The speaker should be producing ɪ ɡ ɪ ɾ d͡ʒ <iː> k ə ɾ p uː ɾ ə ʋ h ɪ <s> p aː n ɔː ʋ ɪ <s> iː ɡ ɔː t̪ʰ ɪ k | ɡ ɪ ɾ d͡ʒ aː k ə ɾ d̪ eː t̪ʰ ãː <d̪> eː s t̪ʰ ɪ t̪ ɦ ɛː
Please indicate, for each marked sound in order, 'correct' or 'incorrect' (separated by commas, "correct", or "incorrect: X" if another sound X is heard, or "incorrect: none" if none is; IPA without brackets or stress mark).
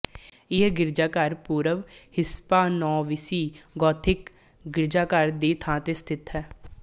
incorrect: aː, correct, correct, incorrect: t̪